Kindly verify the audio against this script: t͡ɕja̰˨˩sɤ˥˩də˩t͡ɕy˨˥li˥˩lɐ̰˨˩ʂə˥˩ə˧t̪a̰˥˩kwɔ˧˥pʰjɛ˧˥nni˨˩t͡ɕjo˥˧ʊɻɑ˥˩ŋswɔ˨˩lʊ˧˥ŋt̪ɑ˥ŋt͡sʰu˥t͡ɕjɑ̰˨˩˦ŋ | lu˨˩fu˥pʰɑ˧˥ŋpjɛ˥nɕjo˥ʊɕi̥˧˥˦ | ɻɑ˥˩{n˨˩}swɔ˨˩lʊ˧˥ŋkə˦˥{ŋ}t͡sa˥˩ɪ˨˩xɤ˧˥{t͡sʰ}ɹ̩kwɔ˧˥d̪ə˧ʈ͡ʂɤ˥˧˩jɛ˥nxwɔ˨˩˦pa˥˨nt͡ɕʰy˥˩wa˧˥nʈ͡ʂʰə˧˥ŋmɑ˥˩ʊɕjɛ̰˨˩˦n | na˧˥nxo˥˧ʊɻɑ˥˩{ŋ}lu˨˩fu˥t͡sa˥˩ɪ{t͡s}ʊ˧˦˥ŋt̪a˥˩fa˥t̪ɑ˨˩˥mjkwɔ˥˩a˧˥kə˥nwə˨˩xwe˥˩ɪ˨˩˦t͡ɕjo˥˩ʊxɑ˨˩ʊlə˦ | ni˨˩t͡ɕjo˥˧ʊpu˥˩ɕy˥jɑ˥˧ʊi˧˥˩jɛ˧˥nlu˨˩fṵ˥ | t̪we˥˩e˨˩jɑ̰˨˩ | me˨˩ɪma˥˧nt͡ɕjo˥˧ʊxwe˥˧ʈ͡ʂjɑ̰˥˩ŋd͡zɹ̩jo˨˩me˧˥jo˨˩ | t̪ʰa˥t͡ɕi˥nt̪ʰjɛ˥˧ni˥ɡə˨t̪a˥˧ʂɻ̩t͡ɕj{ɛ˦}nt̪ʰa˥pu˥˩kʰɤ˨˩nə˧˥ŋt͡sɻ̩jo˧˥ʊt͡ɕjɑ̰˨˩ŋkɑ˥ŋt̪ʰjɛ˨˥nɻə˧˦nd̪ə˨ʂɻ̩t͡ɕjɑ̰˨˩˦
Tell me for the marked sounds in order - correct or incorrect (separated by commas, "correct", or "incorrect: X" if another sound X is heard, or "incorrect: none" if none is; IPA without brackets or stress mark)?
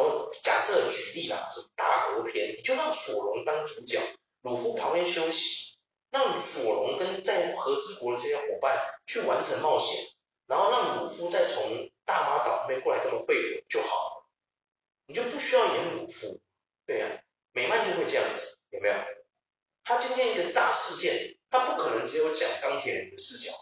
incorrect: ŋ˨˩, incorrect: n, incorrect: t͡s, correct, incorrect: t͡sʰ, incorrect: ɛ˥˩